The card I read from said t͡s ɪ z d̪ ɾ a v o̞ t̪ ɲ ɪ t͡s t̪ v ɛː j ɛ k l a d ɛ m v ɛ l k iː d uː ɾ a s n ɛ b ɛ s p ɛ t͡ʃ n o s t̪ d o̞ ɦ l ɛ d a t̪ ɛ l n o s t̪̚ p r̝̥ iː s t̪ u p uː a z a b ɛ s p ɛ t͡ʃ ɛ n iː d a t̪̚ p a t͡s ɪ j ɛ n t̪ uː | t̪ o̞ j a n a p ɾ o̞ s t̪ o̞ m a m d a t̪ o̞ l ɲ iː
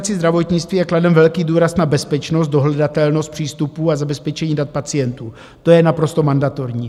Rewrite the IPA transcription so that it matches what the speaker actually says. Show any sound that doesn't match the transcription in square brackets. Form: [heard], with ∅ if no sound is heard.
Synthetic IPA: t͡s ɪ z d̪ ɾ a v o̞ t̪ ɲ ɪ t͡s t̪ v [iː] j ɛ k l a d ɛ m v ɛ l k iː d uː ɾ a s n [a] b ɛ s p ɛ t͡ʃ n o s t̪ d o̞ ɦ l ɛ d a t̪ ɛ l n o s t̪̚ p r̝̥ iː s t̪ u p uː a z a b ɛ s p ɛ t͡ʃ ɛ [ɲ] iː d a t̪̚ p a t͡s ɪ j ɛ n t̪ uː | t̪ o̞ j [ɛ] n a p ɾ o̞ s t̪ o̞ m a [n] d a t̪ o̞ [ɾ] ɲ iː